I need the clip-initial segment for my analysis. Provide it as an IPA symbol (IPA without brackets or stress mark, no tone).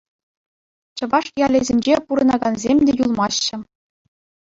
t͡ɕ